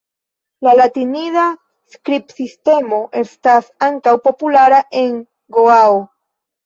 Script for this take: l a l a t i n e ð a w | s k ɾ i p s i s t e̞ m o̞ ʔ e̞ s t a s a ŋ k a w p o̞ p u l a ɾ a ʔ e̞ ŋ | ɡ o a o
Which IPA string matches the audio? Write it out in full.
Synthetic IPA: l a l a t i n i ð a | s k ɾ i p s i s t e̞ m o̞ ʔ e̞ s t a s a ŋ k a w p o̞ p u l a ɾ a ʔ e̞ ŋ | ɡ o a o